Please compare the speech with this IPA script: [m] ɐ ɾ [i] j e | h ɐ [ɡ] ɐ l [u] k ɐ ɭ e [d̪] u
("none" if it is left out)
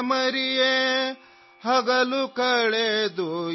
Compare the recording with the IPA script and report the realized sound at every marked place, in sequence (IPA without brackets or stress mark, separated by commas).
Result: m, i, ɡ, u, d̪